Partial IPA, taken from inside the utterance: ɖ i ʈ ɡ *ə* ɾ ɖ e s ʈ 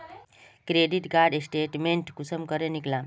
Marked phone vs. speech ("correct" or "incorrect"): incorrect